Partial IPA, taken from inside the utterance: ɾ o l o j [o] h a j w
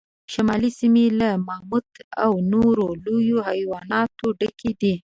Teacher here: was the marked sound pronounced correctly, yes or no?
yes